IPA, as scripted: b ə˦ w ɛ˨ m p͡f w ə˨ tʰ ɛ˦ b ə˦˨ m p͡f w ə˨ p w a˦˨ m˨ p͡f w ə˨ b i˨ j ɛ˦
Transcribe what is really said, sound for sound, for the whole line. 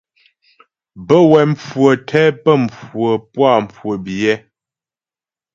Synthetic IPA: b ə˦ w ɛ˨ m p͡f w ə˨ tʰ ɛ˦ p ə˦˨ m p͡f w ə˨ p w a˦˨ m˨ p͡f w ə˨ b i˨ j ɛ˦